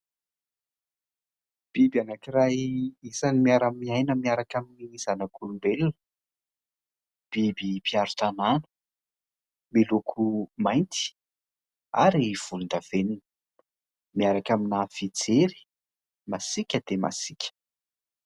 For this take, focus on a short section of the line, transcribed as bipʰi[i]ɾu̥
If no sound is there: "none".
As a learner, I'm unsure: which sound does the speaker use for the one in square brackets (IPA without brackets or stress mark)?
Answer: a